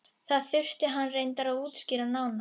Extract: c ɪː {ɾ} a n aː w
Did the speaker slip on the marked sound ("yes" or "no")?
no